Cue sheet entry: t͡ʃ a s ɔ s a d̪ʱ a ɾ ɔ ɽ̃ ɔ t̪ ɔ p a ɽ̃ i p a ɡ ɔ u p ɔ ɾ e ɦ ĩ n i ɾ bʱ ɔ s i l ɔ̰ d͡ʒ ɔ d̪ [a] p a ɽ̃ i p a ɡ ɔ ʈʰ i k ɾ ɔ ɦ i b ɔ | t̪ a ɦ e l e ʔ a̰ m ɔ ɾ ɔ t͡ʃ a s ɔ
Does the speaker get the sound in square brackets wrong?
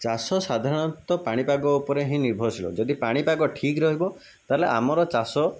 yes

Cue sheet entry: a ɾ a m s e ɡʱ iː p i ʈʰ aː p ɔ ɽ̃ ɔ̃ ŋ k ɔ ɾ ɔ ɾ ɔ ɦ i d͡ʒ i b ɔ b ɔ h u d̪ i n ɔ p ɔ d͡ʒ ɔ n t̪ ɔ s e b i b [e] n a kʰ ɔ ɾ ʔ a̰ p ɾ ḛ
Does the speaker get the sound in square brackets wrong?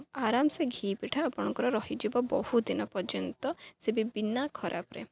yes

